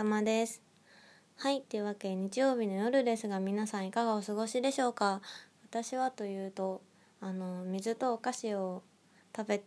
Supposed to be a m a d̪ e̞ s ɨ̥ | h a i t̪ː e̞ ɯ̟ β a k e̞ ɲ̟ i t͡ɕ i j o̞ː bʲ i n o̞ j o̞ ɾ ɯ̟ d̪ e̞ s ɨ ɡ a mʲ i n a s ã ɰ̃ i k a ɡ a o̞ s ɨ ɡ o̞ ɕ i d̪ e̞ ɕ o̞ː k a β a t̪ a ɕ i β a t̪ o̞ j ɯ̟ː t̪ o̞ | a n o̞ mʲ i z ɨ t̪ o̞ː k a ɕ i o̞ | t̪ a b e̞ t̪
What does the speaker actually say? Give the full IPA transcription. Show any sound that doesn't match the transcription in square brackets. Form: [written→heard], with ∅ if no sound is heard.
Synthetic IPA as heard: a m a d̪ e̞ s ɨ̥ | h a i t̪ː e̞ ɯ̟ β a k e̞ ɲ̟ i t͡ɕ i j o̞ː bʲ i n o̞ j o̞ ɾ ɯ̟ d̪ e̞ s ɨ ɡ a mʲ i n a s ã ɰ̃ i k a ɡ a o̞ s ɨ ɡ o̞ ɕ i d̪ e̞ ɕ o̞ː k a β a t̪ a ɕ i β a t̪ o̞ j ɯ̟ː t̪ o̞ | a n o̞ mʲ i z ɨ t̪ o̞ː k a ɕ i o̞ | t̪ a b e̞ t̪